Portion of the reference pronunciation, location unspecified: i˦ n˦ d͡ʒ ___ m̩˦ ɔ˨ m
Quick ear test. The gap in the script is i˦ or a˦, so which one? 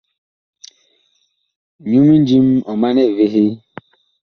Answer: i˦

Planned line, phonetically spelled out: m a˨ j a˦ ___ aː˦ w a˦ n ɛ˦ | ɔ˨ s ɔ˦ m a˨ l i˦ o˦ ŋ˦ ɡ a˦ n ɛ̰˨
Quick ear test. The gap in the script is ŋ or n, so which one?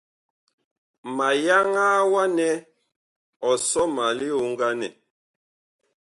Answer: ŋ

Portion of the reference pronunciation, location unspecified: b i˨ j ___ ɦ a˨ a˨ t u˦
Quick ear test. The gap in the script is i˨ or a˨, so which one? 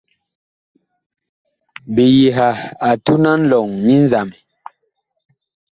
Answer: i˨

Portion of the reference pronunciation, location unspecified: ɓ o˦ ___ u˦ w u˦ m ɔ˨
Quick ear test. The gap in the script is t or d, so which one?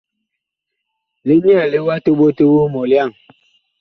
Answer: t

